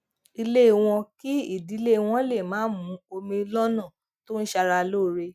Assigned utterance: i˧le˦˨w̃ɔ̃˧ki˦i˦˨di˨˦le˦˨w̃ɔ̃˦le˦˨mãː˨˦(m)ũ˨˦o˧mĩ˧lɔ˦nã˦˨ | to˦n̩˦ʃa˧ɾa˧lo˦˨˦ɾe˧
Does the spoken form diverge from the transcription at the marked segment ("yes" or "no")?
no